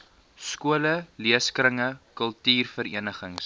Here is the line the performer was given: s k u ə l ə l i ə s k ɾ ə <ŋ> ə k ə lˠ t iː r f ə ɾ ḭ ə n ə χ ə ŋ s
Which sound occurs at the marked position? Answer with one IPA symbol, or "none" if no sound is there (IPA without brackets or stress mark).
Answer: ŋ